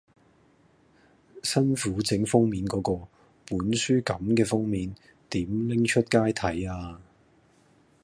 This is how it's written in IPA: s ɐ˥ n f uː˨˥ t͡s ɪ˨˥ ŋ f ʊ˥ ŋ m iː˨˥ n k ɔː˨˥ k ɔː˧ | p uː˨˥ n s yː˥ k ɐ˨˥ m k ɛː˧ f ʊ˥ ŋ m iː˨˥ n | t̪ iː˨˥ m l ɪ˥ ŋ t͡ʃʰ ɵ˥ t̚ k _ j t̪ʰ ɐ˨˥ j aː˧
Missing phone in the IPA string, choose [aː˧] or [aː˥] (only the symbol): aː˥